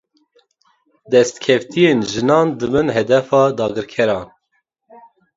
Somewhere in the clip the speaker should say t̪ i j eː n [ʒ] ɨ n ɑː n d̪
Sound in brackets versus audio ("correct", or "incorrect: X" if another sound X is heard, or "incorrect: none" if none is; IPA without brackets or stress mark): correct